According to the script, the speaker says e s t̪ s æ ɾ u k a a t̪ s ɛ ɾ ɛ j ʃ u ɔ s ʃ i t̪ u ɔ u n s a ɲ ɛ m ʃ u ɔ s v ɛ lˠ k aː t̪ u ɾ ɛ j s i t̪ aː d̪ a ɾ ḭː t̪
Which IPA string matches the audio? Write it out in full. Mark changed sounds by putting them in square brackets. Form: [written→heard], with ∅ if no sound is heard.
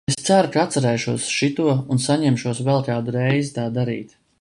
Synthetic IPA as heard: e s t̪ s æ ɾ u k a a t̪ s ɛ ɾ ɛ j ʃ u ɔ s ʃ i t̪ u ɔ u n s a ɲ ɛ m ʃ u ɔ s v ɛ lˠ k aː [t̪→d̪] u ɾ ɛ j [s→z] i t̪ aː d̪ a ɾ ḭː t̪